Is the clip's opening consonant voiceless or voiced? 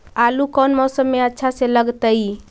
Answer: voiced